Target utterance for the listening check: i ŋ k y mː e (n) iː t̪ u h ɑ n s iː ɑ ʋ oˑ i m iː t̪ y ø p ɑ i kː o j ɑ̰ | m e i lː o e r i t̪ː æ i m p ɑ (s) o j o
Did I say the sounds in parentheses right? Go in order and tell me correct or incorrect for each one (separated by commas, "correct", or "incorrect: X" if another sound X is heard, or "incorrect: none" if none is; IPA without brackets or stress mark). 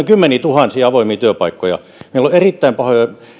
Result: correct, incorrect: h